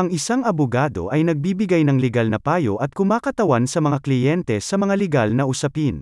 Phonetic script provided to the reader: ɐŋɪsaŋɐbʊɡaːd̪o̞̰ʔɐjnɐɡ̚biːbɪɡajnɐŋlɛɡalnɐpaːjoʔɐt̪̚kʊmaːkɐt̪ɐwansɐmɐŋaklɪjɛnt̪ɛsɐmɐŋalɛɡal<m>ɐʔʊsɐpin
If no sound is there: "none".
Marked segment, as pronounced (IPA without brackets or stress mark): n